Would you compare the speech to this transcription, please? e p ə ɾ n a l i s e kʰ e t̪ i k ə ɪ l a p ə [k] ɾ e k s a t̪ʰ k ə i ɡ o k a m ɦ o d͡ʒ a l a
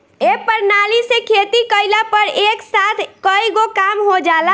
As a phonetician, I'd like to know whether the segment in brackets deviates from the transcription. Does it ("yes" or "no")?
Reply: yes